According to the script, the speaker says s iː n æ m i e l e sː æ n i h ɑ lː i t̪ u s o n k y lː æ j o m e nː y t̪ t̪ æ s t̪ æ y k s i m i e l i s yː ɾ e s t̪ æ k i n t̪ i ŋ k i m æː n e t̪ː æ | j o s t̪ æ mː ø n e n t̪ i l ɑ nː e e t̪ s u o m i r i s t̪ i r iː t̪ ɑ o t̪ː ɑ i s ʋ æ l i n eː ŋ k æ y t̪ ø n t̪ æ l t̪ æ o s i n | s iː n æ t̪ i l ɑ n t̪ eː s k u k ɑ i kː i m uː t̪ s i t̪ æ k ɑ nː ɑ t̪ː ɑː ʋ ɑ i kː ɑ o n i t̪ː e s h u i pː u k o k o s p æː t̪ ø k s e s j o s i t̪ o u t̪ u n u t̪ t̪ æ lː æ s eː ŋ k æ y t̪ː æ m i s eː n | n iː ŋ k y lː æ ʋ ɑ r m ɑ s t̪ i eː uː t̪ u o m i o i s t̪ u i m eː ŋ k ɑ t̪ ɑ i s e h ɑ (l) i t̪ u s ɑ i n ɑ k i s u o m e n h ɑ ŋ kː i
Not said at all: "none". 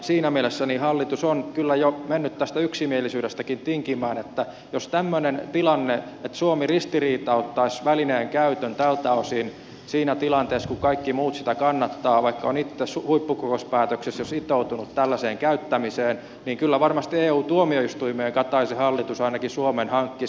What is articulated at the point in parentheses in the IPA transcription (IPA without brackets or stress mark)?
lː